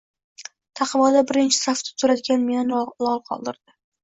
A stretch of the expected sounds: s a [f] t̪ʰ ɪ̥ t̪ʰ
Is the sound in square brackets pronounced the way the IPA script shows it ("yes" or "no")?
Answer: yes